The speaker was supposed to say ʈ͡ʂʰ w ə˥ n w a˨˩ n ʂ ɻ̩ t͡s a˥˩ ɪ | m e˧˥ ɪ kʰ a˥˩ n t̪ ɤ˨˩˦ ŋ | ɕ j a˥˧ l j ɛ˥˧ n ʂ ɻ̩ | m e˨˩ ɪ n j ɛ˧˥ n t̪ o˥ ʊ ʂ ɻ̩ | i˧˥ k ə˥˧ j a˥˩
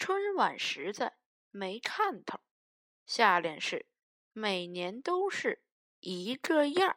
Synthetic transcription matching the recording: ʈ͡ʂʰ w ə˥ n w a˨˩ n ʂ ɻ̩ t͡s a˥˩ ɪ | m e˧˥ ɪ kʰ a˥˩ n t̪ʰ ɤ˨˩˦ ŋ | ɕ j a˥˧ l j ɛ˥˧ n ʂ ɻ̩ | m e˨˩ ɪ n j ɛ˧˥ n t̪ o˥ ʊ ʂ ɻ̩ | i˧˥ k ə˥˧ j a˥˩